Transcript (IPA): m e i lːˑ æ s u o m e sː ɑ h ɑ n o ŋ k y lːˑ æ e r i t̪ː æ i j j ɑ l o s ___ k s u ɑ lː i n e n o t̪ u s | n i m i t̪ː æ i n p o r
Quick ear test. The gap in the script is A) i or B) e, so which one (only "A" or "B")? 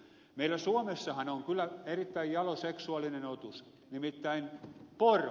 B